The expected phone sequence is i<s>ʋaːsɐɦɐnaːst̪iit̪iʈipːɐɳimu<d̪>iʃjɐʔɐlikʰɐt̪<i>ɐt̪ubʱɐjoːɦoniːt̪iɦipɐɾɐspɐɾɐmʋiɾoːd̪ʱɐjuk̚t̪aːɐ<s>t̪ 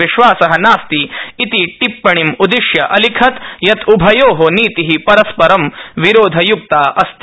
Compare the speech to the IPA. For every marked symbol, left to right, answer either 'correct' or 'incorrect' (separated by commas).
incorrect, correct, incorrect, correct